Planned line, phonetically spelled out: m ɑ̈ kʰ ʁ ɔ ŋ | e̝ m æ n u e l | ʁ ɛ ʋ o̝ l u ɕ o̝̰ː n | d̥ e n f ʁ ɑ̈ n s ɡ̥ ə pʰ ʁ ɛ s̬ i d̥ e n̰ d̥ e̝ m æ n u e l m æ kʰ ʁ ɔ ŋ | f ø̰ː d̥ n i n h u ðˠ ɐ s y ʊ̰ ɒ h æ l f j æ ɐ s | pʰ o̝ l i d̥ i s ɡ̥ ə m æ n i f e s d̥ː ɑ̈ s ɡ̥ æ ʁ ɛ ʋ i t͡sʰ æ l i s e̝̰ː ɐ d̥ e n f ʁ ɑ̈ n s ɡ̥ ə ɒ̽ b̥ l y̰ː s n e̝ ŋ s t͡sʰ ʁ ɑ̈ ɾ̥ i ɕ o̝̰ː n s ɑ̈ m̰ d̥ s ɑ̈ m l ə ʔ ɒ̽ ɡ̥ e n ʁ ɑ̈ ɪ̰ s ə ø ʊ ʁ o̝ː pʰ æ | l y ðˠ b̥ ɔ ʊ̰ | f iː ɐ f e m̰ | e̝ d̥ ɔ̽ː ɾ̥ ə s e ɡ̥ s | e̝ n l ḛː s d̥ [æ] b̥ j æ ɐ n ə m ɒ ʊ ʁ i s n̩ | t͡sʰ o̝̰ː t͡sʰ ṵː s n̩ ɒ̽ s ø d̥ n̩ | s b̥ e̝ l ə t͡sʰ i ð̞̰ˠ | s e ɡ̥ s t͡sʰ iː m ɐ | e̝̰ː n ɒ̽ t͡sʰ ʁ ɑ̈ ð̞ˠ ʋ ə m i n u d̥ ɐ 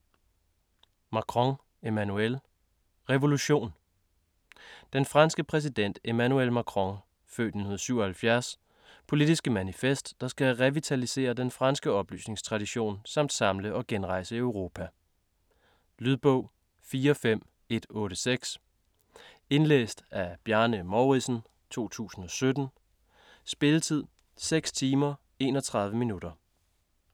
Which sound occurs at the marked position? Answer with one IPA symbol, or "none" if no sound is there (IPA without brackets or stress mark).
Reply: æ